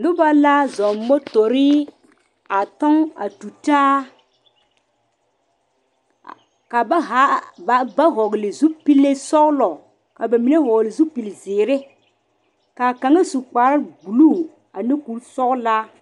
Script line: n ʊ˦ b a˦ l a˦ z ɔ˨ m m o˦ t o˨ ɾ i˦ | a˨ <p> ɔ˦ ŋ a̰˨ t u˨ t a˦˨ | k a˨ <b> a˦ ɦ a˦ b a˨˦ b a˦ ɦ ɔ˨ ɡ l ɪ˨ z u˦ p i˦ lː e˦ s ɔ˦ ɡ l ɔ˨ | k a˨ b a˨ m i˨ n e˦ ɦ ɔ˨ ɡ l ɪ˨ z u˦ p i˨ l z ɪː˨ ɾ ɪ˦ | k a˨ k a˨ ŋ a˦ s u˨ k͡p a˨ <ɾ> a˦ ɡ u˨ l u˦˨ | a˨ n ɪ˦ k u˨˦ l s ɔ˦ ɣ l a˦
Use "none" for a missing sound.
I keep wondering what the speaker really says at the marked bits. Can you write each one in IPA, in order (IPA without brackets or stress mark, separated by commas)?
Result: t, b, ɾ